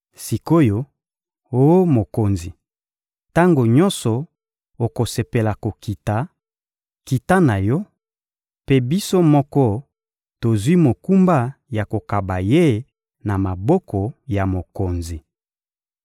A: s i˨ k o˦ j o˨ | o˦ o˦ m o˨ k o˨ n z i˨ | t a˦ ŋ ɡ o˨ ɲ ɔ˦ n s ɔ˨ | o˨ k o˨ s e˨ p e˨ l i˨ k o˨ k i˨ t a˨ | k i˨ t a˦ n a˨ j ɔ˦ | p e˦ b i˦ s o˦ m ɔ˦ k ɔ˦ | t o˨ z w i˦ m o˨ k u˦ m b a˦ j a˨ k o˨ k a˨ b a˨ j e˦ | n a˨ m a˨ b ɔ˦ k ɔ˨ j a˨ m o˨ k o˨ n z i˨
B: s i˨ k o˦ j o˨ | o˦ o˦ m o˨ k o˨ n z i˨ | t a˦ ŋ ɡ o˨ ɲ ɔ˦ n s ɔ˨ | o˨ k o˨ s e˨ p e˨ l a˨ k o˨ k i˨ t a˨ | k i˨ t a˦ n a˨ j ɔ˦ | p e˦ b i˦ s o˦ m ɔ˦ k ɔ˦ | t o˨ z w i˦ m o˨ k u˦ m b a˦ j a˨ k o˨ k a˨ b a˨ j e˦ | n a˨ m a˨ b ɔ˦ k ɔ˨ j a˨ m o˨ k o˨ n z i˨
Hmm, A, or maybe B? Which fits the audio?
B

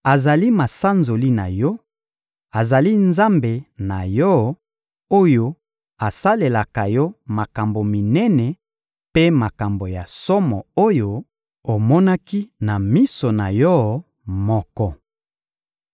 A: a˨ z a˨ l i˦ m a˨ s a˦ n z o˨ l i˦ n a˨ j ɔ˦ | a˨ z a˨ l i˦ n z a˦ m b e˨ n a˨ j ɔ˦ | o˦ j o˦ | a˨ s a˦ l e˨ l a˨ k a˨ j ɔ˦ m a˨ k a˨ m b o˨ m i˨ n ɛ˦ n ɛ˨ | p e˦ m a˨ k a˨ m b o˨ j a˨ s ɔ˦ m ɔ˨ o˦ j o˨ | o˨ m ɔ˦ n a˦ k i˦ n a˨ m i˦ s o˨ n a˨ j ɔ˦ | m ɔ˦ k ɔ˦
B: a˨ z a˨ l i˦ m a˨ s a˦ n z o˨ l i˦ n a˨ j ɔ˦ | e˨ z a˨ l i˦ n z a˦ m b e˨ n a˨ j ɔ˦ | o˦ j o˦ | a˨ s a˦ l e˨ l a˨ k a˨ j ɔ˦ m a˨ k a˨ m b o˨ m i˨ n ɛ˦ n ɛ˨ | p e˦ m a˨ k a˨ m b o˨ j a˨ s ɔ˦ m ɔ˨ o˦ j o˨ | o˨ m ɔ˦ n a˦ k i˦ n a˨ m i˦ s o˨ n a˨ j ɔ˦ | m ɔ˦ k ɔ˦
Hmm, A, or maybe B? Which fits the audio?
A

